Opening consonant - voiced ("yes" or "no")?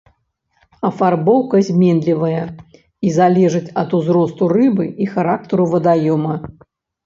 no